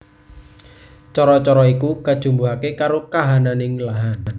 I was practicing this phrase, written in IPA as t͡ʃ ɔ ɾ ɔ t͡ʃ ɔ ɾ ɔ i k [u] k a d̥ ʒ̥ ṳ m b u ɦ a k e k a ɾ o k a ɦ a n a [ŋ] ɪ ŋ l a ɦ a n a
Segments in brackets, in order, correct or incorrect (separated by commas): correct, incorrect